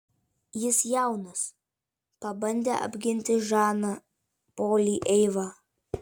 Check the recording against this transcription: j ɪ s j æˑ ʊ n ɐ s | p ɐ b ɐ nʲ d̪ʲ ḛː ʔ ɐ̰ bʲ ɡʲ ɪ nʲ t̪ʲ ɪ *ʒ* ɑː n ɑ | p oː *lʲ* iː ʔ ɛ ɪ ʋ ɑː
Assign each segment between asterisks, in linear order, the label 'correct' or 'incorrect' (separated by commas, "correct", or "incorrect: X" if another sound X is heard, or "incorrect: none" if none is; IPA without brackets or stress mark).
correct, correct